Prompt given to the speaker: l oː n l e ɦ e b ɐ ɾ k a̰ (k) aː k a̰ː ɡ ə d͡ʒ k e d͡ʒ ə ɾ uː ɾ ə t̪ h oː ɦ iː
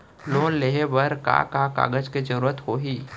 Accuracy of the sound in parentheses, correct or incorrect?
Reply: correct